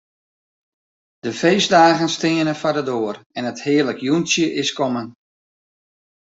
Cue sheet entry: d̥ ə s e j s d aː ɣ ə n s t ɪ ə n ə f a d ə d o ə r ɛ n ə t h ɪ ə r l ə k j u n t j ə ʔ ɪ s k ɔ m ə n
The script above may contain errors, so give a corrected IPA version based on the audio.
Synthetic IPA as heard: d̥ ə f e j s d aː ɣ ə n s t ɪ ə n ə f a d ə d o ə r ɛ n ə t h ɪ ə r l ə k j u n s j ə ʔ ɪ s k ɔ m ə n